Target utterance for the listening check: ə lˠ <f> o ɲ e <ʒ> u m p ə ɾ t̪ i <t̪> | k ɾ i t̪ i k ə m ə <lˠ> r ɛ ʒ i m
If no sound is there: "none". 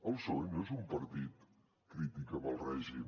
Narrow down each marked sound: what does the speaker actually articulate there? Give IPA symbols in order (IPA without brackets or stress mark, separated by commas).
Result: s, z, t̪, lˠ